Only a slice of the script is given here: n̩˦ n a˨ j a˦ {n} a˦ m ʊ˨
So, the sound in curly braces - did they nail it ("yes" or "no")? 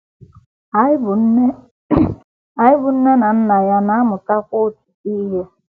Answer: yes